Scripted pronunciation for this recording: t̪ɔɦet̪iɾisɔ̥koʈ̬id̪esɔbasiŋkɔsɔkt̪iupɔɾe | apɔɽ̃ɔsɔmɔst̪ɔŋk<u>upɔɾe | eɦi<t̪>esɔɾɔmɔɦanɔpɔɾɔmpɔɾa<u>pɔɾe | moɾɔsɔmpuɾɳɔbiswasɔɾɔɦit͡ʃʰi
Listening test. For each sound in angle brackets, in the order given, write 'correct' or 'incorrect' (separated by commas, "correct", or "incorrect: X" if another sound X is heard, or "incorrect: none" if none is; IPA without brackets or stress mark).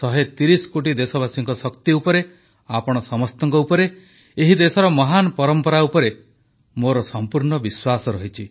incorrect: ɔ, incorrect: d̪, correct